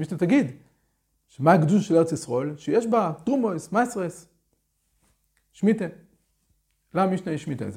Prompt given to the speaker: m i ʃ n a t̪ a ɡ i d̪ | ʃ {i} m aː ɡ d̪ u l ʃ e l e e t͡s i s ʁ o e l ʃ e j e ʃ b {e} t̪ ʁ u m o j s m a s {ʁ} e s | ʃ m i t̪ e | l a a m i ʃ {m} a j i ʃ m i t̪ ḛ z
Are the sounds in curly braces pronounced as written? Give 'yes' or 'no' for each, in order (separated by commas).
no, no, yes, no